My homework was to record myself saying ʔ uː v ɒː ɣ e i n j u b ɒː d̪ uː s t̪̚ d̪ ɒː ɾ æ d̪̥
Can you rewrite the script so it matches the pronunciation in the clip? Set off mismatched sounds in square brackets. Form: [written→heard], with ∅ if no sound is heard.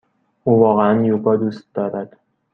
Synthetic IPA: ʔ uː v ɒː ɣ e [i→æ] n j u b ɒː d̪ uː s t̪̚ d̪ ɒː ɾ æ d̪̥